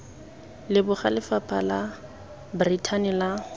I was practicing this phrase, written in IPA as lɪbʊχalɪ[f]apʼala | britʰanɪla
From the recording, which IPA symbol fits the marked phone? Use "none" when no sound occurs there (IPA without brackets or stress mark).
f